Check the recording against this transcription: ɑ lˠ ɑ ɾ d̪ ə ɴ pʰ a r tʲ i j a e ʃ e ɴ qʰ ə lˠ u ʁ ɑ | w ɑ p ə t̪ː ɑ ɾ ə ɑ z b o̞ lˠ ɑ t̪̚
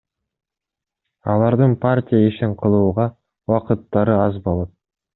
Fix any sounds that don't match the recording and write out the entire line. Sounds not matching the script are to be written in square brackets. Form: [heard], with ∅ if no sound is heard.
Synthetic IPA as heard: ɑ lˠ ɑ ɾ d̪ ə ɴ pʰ a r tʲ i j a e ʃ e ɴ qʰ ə lˠ [uː] ʁ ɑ | w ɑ [q] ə t̪ː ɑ ɾ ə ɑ z b o̞ lˠ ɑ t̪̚